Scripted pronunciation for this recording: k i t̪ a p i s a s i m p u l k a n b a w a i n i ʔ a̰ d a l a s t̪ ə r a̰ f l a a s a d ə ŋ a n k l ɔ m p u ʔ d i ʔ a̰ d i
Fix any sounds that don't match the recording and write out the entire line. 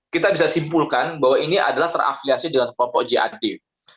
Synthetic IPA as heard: k i t̪ a b i s a s i m p u l k a n b a w a i n i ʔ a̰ d a l a h t̪ ə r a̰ f l i a s i d ə ŋ a n k l ɔ m p ɔ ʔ d͡ʒ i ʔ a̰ d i